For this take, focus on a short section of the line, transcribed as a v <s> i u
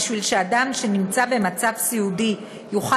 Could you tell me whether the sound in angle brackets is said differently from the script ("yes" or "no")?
no